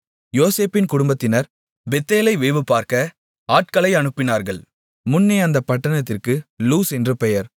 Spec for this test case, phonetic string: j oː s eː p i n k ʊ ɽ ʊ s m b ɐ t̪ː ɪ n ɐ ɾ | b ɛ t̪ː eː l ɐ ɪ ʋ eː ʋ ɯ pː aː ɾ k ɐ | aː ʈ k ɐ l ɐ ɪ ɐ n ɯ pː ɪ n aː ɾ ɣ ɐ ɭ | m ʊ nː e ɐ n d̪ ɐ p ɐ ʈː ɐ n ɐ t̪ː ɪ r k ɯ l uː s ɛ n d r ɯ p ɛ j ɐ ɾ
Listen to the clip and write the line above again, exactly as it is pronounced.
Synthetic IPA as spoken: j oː s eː p ɪ n k ʊ ɽ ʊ m b ɐ t̪ː ɪ n ɐ ɾ | b ɛ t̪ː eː l ɐ ɪ ʋ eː ʋ ɯ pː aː ɾ k ɐ | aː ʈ k ɐ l ɐ ɪ ɐ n ɯ pː ɪ n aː ɾ ɣ ɐ ɭ | m ʊ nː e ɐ n d̪ ɐ p ɐ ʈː ɐ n ɐ t̪ː ɪ r k ɯ l uː s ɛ n d r ɯ p ɛ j ɐ ɾ